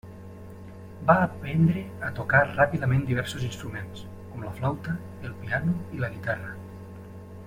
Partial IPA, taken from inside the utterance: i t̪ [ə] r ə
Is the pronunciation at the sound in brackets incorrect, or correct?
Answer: incorrect